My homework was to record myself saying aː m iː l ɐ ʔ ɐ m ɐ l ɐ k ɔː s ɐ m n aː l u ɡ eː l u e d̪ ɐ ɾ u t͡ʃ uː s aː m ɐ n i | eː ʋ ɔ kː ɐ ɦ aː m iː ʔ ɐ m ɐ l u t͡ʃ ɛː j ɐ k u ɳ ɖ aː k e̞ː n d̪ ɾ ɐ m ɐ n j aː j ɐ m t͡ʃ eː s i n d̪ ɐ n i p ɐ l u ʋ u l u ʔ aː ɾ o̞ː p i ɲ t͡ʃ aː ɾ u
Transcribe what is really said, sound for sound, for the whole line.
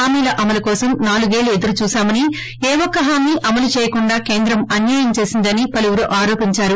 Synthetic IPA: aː m iː l ɐ ʔ ɐ m ɐ l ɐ k ɔː s ɐ m n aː l u ɡ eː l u e d̪ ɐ ɾ u t͡ʃ uː s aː m ɐ n i | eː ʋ ɔ kː ɐ ɦ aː m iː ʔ ɐ m ɐ l u t͡ʃ ɛː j ɐ k u ɳ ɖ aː k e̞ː n d̪ ɾ ɐ m ɐ n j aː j ɐ m t͡ʃ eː s i n d̪ ɐ n i p ɐ l u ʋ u ɾ u ʔ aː ɾ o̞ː p i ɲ t͡ʃ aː ɾ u